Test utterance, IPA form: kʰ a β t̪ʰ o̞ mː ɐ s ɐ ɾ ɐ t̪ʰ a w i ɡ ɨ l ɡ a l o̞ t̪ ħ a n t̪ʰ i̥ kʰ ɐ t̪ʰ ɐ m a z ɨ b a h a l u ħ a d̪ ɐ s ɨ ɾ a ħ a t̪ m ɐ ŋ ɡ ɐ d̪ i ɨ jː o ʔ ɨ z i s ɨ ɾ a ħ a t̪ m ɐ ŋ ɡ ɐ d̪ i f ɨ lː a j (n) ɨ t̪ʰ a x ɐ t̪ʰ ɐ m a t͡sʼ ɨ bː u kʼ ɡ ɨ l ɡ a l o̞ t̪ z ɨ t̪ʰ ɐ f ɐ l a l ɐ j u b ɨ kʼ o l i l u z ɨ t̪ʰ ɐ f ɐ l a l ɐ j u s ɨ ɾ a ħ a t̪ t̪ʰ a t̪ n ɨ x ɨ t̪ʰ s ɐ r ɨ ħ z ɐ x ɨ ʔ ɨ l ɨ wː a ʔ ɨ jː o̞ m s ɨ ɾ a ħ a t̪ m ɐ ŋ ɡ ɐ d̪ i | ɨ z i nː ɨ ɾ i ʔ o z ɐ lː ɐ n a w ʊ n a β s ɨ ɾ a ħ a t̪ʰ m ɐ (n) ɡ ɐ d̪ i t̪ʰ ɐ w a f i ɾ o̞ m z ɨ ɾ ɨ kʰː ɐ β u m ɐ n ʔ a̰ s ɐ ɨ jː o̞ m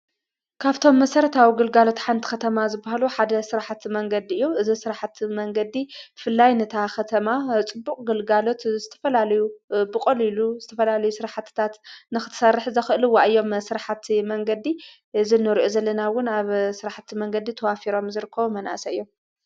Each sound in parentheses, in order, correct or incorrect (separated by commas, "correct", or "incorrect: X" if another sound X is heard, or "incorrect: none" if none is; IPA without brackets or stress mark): correct, incorrect: ŋ